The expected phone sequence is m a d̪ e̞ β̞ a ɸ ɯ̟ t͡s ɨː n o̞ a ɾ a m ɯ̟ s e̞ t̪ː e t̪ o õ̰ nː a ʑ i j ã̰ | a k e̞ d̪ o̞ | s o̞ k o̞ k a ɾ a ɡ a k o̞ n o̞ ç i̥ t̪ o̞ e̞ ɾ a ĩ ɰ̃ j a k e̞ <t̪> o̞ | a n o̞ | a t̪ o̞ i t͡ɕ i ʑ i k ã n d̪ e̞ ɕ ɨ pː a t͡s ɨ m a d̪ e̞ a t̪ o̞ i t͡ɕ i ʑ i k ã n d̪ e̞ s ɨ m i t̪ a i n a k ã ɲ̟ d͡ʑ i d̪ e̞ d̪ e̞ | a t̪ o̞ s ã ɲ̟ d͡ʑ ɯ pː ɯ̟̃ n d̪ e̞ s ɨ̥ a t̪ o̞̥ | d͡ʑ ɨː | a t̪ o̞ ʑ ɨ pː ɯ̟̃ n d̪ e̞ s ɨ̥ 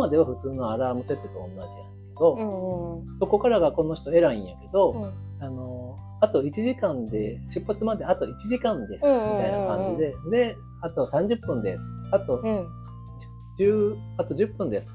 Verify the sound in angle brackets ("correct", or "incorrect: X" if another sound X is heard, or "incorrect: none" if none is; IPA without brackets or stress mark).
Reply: incorrect: d̪